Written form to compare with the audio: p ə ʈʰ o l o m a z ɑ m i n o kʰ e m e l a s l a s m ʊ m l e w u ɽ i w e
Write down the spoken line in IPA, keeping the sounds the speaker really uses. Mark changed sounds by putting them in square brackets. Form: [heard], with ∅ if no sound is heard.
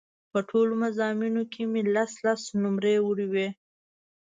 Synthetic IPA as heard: p ə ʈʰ o l o m a z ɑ m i n o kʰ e m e l a s l a s [n] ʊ m [ɾ] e w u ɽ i w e